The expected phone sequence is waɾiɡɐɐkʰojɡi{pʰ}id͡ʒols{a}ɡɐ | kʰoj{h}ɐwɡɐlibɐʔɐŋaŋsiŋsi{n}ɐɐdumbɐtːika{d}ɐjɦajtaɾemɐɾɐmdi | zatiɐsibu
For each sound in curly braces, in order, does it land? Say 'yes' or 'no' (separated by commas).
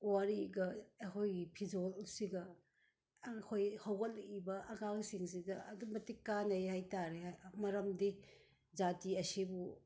yes, no, yes, no, no